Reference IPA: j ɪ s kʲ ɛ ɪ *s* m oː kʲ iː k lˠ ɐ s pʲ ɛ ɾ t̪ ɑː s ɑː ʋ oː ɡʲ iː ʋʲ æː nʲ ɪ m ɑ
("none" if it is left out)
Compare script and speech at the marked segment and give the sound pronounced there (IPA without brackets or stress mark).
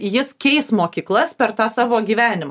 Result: s